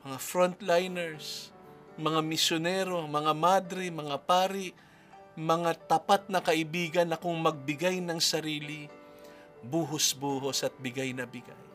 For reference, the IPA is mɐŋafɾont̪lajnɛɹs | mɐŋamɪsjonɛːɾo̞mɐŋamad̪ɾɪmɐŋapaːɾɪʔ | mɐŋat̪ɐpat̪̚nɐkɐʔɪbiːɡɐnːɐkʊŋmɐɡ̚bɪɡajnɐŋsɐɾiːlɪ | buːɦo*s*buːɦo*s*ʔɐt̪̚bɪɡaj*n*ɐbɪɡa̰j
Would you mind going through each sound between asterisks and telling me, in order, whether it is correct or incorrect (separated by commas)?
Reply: correct, correct, correct